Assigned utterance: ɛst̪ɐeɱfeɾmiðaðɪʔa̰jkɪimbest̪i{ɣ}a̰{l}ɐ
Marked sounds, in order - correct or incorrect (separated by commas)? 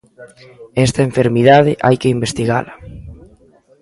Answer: correct, correct